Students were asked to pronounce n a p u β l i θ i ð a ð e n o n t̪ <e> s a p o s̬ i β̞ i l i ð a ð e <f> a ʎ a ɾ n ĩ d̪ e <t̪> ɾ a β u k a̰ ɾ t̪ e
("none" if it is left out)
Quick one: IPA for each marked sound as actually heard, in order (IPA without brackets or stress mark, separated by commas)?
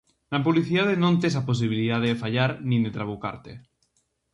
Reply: e, f, t̪